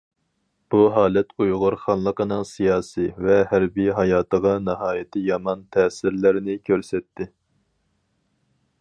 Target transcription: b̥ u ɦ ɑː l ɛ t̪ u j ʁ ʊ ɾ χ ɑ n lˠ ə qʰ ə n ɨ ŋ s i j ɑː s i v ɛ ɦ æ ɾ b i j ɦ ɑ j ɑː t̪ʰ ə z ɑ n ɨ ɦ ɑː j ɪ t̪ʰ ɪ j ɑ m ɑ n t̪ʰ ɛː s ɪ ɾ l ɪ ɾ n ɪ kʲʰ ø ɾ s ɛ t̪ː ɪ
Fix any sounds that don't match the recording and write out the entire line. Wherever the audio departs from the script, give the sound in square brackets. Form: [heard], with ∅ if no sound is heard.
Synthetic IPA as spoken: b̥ u ɦ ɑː l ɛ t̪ u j ʁ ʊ ɾ χ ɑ n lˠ ə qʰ ə n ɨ ŋ s i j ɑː s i v ɛ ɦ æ ɾ b i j ɦ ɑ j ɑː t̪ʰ ə [ʁ] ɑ n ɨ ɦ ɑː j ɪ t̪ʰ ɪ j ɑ m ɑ n t̪ʰ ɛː s ɪ ɾ l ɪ ɾ n ɪ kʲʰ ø ɾ s ɛ t̪ː ɪ